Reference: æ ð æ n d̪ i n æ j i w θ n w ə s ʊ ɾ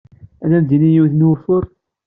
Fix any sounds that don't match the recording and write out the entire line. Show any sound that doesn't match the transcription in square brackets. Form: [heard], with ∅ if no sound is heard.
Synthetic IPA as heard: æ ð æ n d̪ i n [i] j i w θ n w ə [f] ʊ ɾ